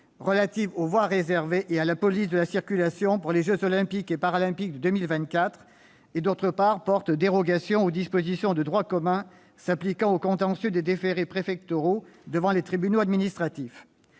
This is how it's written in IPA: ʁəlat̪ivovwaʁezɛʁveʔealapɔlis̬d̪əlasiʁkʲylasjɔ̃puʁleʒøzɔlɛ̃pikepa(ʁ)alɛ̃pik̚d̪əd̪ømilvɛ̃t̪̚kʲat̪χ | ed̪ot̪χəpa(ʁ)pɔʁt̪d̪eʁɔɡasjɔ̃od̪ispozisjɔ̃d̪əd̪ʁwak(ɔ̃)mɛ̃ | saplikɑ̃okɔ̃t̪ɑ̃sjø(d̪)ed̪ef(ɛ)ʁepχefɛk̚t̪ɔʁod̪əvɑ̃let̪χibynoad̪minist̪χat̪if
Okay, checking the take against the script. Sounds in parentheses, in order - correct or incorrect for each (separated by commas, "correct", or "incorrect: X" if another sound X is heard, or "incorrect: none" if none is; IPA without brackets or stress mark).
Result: correct, correct, incorrect: ɔ, correct, incorrect: e